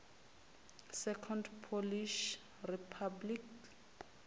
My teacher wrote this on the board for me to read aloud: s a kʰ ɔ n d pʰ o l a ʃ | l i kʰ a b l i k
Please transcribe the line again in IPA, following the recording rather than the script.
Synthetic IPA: s ɛ kʰ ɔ n d pʰ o l i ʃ | r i pʰ a b l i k